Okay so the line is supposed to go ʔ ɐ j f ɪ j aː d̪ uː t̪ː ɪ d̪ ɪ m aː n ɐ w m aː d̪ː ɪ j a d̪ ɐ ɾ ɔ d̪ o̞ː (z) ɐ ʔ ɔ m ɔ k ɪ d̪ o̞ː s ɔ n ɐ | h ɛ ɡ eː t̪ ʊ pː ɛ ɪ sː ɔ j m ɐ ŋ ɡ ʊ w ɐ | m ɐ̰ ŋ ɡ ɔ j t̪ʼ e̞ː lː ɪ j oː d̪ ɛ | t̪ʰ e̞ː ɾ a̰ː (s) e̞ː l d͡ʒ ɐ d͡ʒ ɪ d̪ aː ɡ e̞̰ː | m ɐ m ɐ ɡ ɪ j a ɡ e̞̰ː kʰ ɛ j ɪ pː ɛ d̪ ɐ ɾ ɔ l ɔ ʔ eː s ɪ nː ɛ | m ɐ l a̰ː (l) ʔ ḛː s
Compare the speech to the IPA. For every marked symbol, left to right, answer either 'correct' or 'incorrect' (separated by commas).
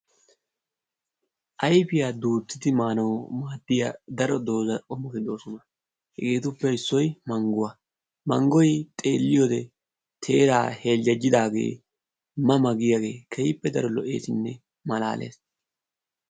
correct, incorrect, correct